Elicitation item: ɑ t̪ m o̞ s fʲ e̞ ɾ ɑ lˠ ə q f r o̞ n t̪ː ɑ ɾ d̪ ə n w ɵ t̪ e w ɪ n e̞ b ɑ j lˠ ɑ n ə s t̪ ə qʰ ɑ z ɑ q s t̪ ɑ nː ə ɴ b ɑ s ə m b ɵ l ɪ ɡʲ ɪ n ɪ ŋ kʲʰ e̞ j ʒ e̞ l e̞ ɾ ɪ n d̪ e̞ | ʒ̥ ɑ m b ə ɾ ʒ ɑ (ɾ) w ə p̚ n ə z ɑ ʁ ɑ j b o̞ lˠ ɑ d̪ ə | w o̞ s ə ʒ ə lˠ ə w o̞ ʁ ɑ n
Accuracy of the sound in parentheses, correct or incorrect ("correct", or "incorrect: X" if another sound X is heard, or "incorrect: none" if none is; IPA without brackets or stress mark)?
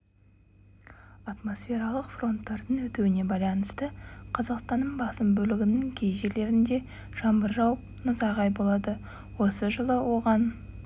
incorrect: none